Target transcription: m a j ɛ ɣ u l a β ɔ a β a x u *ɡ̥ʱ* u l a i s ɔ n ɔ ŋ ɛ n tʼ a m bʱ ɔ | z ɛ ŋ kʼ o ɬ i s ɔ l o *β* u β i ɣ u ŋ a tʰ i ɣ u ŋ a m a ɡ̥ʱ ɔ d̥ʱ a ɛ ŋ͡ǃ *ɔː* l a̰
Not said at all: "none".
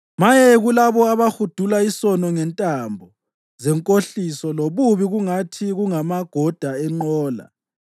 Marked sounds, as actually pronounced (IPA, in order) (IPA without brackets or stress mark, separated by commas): d̥ʱ, β, ɔː